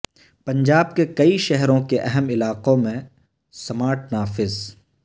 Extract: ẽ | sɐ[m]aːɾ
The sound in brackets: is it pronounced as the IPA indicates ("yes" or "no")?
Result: yes